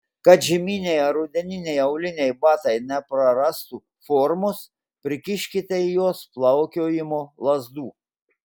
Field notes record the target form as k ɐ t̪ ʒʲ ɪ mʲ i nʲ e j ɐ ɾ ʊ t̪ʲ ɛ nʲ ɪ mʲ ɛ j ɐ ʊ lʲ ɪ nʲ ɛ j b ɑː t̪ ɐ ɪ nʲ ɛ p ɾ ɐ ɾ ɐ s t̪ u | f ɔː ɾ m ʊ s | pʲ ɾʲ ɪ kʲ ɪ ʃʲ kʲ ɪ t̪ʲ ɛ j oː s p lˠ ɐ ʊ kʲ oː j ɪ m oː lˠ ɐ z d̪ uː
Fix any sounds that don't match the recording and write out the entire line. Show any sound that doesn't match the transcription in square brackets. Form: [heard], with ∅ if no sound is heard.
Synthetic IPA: k ɐ t̪ ʒʲ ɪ mʲ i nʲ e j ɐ ɾ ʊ [d̪ʲ] ɛ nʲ ɪ [nʲ] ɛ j ɐ ʊ lʲ ɪ nʲ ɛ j b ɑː t̪ ɐ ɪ nʲ ɛ p ɾ ɐ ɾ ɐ s t̪ u | f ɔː ɾ m ʊ s | pʲ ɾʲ ɪ kʲ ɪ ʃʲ kʲ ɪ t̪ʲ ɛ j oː s p lˠ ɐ ʊ kʲ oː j ɪ m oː lˠ ɐ z d̪ uː